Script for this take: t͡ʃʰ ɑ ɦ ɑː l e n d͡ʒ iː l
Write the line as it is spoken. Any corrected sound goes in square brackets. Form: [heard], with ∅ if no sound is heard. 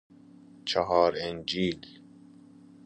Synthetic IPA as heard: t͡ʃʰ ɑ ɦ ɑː [ɾ] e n d͡ʒ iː l